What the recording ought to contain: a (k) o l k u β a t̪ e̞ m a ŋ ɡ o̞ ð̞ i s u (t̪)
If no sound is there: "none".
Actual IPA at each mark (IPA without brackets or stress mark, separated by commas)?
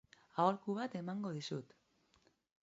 none, t̪